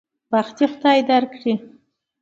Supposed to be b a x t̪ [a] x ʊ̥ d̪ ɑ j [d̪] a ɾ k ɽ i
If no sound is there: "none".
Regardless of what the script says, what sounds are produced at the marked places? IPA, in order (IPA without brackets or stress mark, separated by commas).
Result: i, d̪